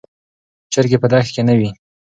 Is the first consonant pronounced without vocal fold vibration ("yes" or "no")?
yes